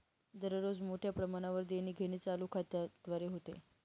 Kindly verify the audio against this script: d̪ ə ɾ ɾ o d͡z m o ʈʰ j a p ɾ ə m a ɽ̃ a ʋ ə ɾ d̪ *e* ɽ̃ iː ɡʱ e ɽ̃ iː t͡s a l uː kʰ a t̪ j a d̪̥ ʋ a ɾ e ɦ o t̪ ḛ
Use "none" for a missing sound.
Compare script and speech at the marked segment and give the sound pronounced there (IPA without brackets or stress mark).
e